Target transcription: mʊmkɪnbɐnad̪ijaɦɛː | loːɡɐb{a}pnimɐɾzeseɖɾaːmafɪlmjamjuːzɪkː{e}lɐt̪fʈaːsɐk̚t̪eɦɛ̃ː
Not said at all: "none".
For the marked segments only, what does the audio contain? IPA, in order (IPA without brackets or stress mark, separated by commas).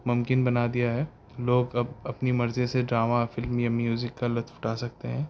ɐ, a